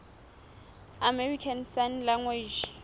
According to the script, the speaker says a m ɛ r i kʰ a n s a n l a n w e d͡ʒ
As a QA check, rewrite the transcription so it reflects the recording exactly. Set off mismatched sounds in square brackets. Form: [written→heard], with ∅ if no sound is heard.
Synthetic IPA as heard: a m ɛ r i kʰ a n s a n l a [n→ŋ] w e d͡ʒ